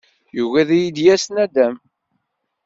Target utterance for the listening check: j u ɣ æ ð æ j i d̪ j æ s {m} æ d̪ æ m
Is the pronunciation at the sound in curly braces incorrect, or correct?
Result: incorrect